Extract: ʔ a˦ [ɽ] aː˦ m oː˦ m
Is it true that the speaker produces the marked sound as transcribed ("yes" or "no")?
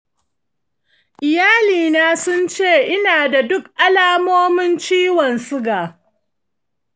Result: no